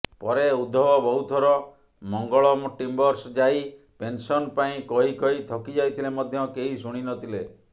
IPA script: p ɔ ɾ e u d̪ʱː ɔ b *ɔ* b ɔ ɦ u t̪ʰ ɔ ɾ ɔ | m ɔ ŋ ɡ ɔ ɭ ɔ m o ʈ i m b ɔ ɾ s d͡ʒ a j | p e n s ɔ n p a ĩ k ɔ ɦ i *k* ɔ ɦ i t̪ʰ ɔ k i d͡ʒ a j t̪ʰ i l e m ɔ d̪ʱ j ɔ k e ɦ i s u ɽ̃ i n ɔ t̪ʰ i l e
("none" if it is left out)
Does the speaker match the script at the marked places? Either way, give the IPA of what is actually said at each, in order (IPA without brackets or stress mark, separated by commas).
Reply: ɔ, k